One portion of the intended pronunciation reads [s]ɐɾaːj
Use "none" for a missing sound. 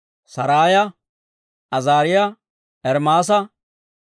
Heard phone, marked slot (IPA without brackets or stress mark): s